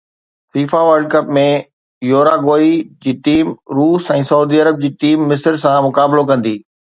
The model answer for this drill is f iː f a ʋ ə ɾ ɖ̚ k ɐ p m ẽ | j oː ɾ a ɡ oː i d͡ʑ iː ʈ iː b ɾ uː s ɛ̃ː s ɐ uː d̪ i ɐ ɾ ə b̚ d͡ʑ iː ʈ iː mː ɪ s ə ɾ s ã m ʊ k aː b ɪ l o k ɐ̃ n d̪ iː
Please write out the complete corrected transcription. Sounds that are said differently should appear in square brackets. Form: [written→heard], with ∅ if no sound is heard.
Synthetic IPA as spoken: f iː f a ʋ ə ɾ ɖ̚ k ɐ p m ẽ | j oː ɾ a ɡ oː i d͡ʑ iː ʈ iː [b→m] ɾ uː s ɛ̃ː s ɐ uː d̪ i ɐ ɾ ə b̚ d͡ʑ iː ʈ iː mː ɪ s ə ɾ s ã m ʊ k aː b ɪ l o k ɐ̃ n d̪ iː